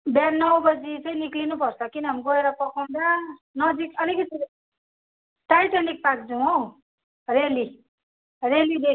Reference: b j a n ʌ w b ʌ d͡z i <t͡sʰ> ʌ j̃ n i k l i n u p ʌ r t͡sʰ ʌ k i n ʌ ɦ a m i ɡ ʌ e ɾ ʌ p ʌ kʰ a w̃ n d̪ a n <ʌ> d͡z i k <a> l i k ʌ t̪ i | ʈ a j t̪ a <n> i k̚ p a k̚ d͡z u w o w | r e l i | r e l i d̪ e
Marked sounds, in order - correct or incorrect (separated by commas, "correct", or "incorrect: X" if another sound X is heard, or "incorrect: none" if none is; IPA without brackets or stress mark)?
incorrect: t͡s, correct, incorrect: ʌ, correct